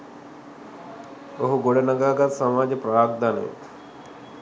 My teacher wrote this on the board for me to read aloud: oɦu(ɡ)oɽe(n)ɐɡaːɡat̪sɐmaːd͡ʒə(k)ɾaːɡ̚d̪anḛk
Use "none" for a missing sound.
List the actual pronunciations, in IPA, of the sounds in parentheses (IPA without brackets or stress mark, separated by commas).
ɡ, n, p